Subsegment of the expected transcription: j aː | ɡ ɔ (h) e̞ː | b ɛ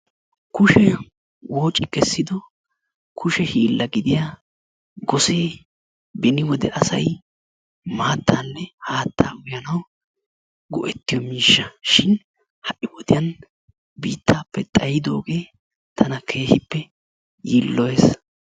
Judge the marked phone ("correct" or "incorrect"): incorrect